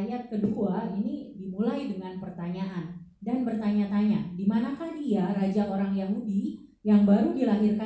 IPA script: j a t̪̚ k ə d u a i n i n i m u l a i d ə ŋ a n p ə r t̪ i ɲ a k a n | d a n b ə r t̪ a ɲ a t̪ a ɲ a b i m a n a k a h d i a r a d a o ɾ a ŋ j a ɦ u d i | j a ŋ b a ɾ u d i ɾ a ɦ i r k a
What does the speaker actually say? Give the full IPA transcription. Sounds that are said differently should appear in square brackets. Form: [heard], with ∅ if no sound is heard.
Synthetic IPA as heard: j a t̪̚ k ə d u a i n i [d] i m u l a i d ə ŋ a n p ə r t̪ [a] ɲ a [ʔ] a n | d a n b ə r t̪ a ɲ a t̪ a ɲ a [d] i m a n a k a h d i a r a [d͡ʒ] a o ɾ a ŋ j a ɦ u d i | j a ŋ b a ɾ u d i [l] a ɦ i r k a